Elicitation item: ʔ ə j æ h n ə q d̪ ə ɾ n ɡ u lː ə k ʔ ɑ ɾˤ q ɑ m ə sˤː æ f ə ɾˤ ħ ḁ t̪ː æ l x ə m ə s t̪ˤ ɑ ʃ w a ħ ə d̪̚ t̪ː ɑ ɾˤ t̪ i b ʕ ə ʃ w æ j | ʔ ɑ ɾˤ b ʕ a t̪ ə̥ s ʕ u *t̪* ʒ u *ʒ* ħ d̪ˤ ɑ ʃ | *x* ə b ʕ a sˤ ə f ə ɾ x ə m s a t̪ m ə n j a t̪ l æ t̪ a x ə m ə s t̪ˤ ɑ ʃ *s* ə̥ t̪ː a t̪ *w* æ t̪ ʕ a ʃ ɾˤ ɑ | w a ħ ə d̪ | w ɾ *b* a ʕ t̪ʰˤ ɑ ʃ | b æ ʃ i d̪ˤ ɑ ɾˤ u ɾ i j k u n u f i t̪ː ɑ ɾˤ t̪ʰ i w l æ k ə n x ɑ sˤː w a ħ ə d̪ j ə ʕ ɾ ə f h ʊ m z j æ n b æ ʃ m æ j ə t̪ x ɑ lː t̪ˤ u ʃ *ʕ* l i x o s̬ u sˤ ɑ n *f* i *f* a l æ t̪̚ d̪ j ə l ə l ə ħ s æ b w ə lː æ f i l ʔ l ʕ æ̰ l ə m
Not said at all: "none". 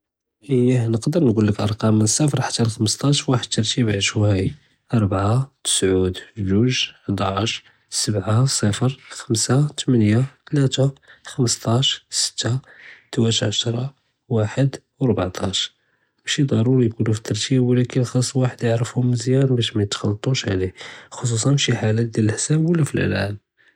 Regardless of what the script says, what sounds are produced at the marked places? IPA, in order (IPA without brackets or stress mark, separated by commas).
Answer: d̪, ʒ, s, s, w, b, ʕ, ʃ, ħ